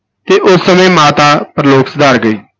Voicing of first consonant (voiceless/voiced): voiceless